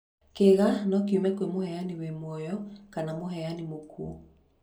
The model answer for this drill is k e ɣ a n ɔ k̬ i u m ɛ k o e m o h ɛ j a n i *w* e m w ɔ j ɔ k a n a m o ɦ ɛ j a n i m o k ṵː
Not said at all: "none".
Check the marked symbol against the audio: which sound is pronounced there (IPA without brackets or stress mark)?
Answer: w